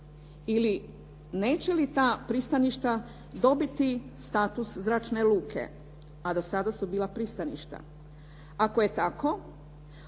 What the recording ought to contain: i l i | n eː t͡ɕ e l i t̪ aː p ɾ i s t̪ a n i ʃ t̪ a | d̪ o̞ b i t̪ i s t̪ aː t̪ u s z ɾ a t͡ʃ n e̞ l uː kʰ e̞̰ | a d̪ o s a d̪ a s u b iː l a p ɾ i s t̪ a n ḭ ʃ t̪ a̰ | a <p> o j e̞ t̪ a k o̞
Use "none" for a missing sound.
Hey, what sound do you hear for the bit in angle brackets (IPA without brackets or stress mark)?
k